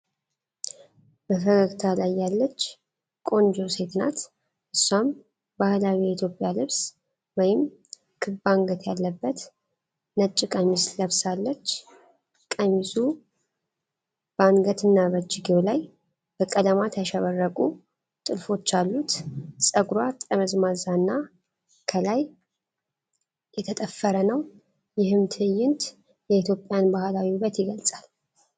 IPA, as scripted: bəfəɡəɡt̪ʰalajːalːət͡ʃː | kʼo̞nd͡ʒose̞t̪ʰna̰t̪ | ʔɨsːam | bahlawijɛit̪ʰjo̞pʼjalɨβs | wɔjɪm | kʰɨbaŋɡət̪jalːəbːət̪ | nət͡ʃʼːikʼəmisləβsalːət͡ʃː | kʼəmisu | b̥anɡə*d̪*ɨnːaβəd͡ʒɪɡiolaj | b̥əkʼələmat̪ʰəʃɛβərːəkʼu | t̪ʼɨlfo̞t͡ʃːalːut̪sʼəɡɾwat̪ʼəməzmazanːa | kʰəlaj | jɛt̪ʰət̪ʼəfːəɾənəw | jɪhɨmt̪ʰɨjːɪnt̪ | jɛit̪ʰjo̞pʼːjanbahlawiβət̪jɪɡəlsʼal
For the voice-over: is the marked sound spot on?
no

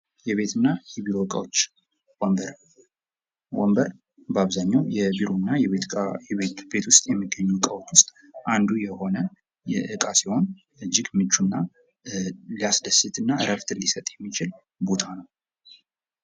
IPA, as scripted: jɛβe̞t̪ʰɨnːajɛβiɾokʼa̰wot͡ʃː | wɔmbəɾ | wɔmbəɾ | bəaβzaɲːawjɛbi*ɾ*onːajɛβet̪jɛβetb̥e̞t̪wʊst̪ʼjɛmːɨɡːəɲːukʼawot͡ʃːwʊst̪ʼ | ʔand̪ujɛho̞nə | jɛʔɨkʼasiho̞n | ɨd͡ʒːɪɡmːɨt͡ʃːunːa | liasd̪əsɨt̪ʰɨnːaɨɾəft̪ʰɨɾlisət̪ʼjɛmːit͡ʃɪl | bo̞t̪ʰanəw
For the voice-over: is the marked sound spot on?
yes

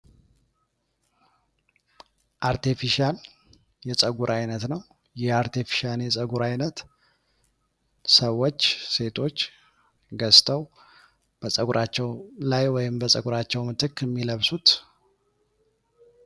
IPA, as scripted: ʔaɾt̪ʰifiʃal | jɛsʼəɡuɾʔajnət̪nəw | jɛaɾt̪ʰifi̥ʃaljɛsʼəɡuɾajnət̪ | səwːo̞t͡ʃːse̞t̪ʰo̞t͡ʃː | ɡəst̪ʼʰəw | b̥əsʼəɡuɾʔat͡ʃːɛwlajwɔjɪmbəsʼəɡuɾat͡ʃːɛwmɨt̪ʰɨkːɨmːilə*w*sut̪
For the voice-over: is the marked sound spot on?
no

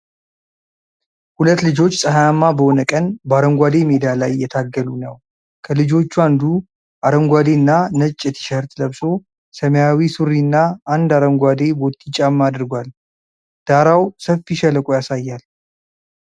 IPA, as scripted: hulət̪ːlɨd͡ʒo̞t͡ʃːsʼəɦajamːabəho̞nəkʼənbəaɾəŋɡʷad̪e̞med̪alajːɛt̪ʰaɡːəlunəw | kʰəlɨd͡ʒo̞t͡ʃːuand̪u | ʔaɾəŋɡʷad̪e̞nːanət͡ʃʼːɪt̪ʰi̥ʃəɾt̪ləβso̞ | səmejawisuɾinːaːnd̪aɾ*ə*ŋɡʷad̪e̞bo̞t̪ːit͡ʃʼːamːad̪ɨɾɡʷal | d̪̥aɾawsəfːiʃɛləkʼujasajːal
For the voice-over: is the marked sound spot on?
yes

